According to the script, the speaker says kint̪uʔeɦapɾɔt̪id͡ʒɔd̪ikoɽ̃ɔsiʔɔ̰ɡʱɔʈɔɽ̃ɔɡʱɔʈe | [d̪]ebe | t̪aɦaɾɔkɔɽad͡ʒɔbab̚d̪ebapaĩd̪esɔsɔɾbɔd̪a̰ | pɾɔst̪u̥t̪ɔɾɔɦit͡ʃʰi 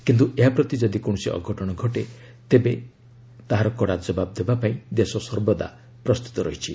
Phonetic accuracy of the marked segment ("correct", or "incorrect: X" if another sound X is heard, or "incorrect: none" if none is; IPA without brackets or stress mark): incorrect: t̪